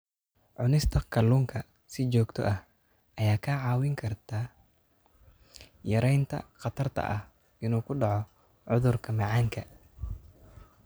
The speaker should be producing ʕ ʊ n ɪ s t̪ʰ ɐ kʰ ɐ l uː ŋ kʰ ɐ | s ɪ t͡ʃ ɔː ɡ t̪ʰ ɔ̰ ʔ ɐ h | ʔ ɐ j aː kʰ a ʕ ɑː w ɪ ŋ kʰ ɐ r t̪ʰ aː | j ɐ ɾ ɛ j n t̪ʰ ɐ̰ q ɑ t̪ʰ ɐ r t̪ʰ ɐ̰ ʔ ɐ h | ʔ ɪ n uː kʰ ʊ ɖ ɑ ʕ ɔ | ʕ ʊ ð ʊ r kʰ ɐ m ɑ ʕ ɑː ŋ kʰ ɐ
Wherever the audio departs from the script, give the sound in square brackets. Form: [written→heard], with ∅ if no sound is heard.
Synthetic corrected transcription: ʕ ʊ n ɪ s t̪ʰ ɐ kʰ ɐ l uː ŋ kʰ ɐ | s ɪ t͡ʃ ɔː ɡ t̪ʰ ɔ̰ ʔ ɐ h | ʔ ɐ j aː kʰ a ʕ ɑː w ɪ ŋ kʰ ɐ r t̪ʰ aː | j ɐ ɾ ɛ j n t̪ʰ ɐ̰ q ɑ t̪ʰ ɐ r t̪ʰ ɐ̰ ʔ ɐ h | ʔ ɪ n uː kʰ ʊ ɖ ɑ ʕ ɔ | ʕ ʊ ð ʊ r kʰ ɐ m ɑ ʕ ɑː ŋ kʰ ɐ